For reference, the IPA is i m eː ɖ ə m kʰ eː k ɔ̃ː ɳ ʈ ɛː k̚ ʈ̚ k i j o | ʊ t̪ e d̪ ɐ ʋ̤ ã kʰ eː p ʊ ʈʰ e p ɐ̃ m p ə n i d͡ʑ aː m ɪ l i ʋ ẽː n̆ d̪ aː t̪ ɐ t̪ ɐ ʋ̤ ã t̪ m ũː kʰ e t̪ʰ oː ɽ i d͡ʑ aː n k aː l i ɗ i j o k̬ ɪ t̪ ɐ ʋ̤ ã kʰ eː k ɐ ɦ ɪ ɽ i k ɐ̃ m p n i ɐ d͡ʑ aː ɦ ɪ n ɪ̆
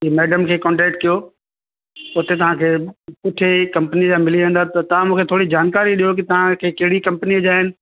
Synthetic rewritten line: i m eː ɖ ə m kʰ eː k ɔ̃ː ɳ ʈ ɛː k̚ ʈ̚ k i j o | ʊ t̪ e t̪ ɐ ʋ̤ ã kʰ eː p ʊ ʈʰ e k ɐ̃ m p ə n i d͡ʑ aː m ɪ l i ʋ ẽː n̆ d̪ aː t̪ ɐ t̪ ɐ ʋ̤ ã m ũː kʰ e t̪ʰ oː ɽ i d͡ʑ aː n k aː ɾ i ɗ i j o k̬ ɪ t̪ ɐ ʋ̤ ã kʰ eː k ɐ ɦ ɪ ɽ i k ɐ̃ m p n i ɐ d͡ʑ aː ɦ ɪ n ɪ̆